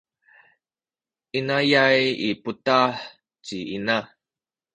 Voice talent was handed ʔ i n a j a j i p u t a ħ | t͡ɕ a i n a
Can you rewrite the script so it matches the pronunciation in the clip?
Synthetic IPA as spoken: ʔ i n a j a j i p u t a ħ | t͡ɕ i i n a